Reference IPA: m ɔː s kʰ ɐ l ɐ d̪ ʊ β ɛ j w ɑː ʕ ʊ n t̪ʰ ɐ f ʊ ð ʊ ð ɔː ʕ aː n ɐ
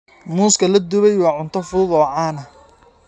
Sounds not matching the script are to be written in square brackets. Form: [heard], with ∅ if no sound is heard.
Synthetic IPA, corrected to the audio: m [uː] s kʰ ɐ l ɐ d̪ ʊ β ɛ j w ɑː ʕ ʊ n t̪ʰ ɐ f ʊ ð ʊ ð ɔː ʕ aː n ɐ